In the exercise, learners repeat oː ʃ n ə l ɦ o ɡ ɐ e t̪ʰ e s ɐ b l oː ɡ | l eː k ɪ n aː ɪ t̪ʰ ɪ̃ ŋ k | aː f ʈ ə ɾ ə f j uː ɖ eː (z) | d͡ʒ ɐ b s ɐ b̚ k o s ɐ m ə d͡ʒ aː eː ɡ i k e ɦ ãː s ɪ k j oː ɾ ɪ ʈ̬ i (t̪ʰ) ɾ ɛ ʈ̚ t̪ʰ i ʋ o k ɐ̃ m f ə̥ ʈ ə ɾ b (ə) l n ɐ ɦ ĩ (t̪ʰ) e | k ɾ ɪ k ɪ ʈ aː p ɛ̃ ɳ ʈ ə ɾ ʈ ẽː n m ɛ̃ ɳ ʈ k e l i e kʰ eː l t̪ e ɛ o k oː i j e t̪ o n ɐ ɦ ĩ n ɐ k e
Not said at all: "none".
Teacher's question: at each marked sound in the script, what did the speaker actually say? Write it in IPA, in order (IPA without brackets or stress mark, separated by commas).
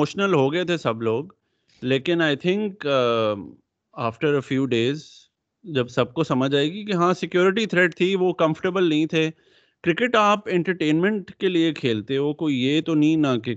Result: z, t̪ʰ, ə, t̪ʰ